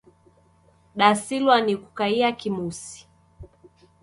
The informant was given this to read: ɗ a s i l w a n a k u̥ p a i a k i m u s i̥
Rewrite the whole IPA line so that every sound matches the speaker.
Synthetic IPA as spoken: ɗ a s i l w a n i k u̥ k a i a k i m u s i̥